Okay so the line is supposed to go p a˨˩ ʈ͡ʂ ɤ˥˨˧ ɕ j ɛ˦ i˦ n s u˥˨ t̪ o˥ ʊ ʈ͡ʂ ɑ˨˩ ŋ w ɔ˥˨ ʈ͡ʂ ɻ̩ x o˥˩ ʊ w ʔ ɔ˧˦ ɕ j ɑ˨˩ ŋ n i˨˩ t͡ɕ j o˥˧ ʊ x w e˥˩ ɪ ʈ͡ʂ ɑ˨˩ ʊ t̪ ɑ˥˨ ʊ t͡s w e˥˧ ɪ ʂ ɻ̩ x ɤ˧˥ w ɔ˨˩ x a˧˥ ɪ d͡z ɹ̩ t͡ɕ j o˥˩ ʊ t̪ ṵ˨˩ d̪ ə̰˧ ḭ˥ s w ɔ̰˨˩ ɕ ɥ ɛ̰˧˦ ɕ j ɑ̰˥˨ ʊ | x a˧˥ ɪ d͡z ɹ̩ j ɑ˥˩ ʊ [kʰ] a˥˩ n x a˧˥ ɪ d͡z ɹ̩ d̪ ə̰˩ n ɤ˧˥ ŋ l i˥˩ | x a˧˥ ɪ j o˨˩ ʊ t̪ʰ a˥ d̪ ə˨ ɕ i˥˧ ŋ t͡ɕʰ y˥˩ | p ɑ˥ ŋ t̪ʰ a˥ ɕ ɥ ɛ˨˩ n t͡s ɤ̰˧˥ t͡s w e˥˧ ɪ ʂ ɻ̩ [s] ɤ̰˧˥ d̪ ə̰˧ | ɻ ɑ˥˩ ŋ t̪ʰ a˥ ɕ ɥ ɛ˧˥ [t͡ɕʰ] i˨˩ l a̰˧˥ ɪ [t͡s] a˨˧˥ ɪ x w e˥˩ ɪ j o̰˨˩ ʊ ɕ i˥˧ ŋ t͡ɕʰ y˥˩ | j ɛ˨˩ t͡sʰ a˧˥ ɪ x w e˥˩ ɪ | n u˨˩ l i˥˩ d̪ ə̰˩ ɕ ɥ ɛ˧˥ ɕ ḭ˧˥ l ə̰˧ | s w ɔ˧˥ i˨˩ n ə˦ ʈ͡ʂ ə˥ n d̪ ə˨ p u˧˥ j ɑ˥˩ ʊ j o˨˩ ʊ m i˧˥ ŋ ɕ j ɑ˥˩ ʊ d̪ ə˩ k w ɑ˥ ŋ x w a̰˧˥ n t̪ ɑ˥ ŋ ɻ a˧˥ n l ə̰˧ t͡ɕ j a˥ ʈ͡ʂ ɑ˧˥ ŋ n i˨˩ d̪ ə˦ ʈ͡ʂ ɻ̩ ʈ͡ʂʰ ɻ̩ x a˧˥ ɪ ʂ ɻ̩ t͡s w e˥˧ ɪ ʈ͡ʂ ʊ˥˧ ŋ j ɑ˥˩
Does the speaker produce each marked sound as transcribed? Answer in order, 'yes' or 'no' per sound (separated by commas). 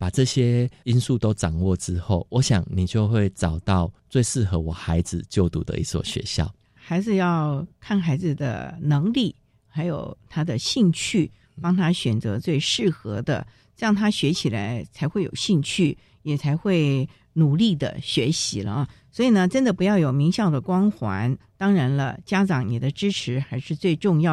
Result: yes, no, yes, no